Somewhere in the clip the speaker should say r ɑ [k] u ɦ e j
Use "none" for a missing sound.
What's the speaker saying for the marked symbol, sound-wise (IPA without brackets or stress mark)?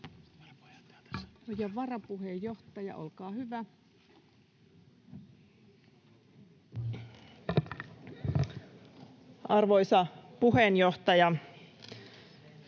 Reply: p